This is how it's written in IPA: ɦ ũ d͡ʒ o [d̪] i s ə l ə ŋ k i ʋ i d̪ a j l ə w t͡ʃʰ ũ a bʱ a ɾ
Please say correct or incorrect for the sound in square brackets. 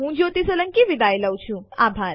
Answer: incorrect